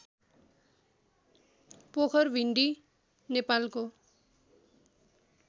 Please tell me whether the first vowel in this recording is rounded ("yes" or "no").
yes